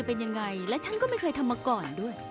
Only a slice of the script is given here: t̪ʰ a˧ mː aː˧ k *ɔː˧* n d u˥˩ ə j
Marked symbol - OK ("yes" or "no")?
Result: no